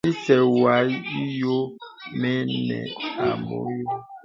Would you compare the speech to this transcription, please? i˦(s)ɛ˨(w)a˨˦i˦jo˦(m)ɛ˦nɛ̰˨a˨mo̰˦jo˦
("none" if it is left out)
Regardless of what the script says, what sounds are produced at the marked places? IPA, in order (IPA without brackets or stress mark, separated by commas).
s, w, m